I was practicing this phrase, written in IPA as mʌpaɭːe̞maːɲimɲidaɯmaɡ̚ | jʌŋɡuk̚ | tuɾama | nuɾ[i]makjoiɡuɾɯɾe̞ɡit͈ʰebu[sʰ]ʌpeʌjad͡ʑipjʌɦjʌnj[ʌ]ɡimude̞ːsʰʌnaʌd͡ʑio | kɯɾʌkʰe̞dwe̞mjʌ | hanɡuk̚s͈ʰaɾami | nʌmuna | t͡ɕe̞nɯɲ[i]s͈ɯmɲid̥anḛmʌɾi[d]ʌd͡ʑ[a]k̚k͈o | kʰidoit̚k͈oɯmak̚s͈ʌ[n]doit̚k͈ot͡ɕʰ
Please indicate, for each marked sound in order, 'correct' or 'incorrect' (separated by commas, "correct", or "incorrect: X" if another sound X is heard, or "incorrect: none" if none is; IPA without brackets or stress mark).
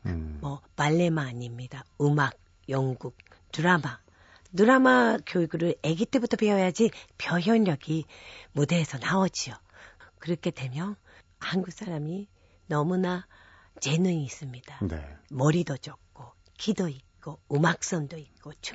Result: incorrect: a, incorrect: tʰ, correct, incorrect: iː, correct, incorrect: ʌ, correct